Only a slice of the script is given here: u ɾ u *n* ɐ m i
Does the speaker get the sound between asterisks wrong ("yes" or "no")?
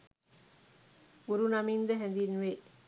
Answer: no